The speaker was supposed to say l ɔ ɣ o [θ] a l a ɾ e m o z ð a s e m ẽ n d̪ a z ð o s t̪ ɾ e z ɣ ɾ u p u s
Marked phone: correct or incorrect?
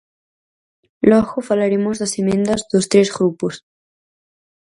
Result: incorrect